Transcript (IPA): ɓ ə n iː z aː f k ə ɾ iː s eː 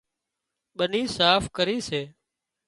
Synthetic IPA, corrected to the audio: ɓ ə n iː s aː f k ə ɾ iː s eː